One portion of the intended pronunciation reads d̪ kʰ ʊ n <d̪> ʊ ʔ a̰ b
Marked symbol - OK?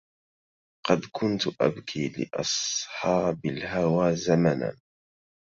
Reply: no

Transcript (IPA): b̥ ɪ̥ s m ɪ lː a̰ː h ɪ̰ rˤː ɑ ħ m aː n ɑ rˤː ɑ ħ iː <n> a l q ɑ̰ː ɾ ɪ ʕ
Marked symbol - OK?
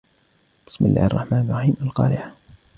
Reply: no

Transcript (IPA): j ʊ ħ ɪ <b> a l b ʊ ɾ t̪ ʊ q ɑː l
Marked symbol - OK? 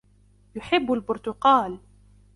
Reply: no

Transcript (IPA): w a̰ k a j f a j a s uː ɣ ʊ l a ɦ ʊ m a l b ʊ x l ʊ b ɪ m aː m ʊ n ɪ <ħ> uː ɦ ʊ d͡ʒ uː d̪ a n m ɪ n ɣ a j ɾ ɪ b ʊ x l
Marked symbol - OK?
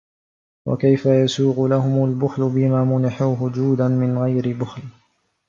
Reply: yes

